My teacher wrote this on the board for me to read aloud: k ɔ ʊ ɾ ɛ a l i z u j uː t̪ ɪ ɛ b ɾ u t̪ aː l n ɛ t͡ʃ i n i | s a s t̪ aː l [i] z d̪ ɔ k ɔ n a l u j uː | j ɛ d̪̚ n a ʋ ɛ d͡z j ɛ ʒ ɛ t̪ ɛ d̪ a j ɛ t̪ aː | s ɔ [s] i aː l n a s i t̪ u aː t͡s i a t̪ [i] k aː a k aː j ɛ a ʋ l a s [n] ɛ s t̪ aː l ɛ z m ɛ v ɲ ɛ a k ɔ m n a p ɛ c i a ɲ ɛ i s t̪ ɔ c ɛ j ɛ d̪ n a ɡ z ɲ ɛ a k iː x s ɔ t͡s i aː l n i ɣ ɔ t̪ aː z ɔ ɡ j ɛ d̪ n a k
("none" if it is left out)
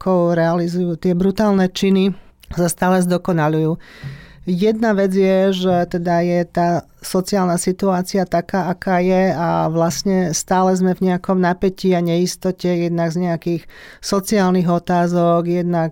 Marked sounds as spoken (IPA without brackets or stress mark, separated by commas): ɛ, t͡s, a, ɲ